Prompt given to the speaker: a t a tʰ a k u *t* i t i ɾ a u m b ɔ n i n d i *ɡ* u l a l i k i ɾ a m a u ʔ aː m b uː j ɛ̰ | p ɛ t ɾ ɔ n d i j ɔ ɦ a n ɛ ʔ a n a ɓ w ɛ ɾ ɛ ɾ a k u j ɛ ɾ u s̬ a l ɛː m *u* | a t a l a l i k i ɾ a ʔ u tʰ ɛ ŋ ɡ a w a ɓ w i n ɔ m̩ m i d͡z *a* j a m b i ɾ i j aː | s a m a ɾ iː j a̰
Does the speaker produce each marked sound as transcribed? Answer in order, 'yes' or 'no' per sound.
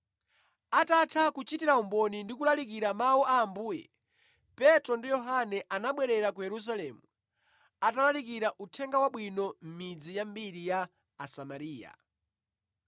no, no, yes, no

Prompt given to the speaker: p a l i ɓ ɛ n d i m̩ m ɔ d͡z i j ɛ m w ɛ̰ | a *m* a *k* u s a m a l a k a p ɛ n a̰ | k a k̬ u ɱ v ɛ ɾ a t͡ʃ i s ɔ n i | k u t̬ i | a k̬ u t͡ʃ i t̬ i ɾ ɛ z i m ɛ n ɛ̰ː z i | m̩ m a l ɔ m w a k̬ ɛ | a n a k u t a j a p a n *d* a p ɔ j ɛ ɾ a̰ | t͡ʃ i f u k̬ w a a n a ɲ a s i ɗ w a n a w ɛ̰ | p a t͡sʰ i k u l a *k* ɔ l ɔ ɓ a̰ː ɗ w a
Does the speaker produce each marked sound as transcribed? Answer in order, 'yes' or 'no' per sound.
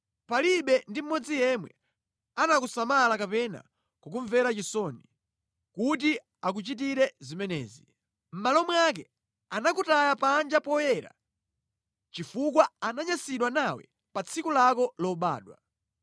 no, yes, no, yes

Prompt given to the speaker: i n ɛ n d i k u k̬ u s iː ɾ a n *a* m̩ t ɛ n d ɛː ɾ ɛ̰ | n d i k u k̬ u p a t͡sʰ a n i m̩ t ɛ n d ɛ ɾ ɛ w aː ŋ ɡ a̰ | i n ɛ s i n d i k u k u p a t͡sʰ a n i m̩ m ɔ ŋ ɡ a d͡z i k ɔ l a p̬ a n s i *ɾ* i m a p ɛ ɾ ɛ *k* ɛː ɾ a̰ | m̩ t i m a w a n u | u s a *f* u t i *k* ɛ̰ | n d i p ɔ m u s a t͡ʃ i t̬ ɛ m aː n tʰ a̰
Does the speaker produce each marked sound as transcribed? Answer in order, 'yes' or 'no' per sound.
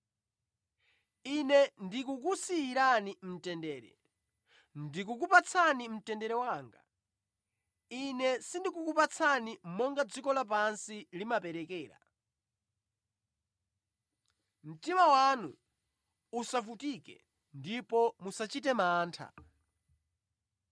no, no, yes, yes, yes

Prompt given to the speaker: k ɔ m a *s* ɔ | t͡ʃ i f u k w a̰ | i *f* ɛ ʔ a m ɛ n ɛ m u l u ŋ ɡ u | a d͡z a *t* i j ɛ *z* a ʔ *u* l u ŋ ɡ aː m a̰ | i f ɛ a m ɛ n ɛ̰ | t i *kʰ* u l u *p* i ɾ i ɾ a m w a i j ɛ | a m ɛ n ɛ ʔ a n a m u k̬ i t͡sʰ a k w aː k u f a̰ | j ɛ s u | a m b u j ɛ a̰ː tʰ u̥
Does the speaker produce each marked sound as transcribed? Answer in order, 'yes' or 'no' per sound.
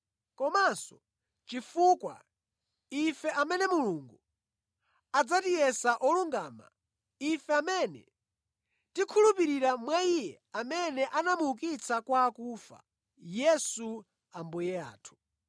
yes, yes, yes, no, no, yes, yes

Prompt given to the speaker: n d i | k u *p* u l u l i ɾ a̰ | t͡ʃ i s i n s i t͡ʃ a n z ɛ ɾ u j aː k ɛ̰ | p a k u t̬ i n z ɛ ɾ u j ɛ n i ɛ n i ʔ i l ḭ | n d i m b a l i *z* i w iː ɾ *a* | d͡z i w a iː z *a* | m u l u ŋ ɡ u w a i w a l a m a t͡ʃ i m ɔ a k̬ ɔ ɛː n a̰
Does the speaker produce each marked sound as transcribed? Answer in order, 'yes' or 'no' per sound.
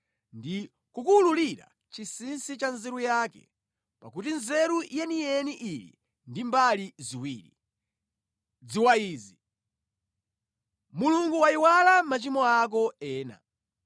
no, yes, no, no

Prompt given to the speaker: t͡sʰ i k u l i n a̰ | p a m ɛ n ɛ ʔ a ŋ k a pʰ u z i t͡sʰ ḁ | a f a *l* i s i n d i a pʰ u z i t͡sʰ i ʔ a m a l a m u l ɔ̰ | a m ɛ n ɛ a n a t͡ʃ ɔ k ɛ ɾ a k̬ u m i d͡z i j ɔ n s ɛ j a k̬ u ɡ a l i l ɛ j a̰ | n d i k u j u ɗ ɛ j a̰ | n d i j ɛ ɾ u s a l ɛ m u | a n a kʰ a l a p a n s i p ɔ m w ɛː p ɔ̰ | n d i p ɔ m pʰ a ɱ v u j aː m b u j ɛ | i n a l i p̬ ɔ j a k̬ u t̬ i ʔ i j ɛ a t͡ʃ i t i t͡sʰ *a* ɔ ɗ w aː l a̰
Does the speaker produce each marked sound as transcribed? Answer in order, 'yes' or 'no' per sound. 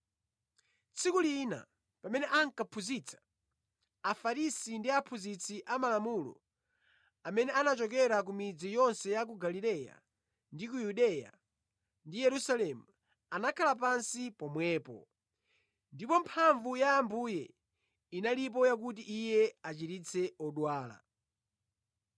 no, no

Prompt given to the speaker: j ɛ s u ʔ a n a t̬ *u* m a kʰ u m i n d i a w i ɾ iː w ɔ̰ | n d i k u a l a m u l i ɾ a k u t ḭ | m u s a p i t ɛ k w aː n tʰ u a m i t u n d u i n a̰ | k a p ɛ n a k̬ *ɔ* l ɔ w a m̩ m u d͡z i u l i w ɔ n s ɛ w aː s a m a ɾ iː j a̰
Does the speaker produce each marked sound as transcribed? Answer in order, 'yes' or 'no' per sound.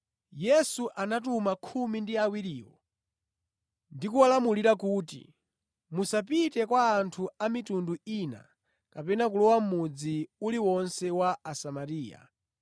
yes, no

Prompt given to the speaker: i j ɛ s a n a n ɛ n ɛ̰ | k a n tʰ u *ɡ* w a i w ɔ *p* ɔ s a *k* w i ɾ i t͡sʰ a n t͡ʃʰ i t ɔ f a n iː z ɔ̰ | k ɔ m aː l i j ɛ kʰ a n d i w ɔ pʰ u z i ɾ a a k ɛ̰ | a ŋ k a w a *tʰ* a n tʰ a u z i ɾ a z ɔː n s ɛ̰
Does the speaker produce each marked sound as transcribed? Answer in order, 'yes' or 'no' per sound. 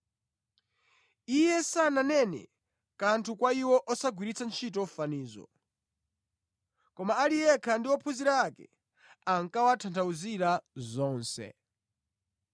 no, no, no, yes

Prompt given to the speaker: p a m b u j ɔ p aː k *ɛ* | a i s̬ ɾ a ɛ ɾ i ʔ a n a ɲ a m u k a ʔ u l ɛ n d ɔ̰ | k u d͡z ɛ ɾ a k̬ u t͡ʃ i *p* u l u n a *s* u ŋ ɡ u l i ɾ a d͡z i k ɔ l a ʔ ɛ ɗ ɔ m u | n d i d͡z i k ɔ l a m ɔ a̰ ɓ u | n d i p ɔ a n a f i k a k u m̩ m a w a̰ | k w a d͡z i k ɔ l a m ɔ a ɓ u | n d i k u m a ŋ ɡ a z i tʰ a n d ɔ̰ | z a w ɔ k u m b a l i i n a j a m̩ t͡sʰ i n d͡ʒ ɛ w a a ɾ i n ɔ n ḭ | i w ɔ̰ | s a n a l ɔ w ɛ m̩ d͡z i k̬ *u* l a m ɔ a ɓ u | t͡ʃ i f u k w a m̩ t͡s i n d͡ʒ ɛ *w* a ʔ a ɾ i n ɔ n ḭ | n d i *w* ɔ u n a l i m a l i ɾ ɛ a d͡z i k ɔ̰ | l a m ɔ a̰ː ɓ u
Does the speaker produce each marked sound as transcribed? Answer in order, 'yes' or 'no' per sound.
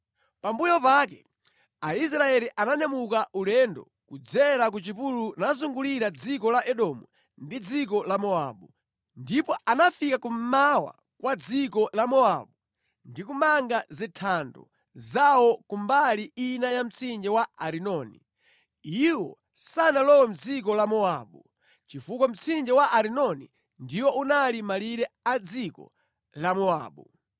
yes, yes, no, no, yes, yes

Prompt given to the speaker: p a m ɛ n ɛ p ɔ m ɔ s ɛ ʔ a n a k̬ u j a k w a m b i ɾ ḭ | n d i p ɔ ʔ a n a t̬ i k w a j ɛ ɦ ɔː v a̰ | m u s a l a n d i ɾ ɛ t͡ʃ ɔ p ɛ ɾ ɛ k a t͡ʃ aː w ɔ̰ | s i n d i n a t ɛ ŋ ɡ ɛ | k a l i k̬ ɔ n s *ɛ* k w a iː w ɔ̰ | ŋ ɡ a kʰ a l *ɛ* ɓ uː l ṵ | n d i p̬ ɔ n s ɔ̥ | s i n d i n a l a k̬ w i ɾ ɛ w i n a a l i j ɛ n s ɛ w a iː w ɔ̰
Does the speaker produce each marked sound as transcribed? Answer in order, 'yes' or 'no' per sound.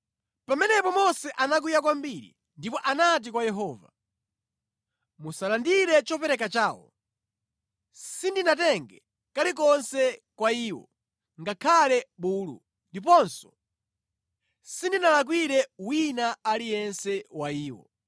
yes, yes

